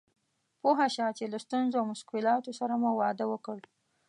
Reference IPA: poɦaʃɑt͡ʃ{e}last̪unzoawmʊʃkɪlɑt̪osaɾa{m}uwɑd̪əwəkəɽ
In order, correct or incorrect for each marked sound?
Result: correct, correct

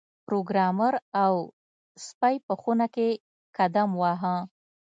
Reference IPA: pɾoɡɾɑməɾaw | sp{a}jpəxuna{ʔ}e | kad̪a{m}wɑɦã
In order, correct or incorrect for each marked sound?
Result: correct, incorrect: k, correct

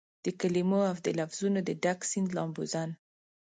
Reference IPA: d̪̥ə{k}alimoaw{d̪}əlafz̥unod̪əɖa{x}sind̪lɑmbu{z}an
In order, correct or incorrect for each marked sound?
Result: correct, correct, incorrect: k, correct

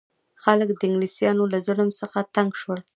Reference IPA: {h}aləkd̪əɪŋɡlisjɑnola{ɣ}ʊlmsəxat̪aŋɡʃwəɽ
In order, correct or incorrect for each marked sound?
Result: incorrect: x, incorrect: z

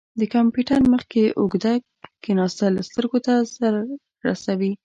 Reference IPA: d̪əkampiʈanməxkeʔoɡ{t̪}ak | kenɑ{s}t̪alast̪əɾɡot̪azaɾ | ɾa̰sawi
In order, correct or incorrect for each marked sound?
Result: incorrect: d̪, correct

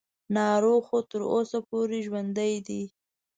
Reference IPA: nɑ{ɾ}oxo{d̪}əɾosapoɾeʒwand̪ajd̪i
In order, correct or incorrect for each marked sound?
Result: correct, incorrect: t̪

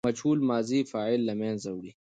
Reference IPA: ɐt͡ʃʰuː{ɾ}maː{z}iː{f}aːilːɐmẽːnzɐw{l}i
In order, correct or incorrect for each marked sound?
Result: incorrect: l, correct, correct, incorrect: ɽ

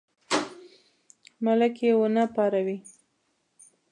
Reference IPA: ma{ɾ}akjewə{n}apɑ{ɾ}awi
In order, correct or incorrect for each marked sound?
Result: incorrect: l, correct, correct

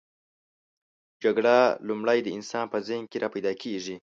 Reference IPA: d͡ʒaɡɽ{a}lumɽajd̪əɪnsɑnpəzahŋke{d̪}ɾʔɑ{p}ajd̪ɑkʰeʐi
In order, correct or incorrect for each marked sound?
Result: correct, incorrect: none, correct

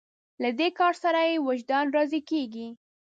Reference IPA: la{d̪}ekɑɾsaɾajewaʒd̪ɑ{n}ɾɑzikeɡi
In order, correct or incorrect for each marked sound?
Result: correct, correct

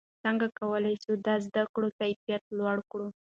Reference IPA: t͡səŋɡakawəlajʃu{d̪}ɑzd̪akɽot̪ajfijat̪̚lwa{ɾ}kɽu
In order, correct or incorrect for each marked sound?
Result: correct, incorrect: ɽ

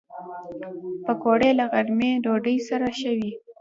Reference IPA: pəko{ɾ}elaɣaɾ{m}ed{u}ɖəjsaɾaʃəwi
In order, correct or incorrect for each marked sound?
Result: incorrect: ɽ, correct, incorrect: o

